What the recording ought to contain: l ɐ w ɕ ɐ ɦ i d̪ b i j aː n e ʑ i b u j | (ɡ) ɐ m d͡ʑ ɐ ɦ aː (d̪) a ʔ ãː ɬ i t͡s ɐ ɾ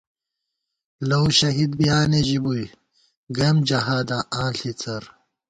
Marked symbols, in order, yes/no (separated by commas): yes, yes